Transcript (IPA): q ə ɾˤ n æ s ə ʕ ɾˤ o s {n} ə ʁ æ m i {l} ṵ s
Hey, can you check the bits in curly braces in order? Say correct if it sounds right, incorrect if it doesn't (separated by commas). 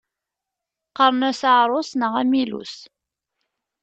correct, correct